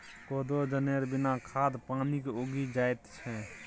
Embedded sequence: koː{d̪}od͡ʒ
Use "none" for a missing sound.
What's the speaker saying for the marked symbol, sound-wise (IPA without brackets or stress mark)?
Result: d̪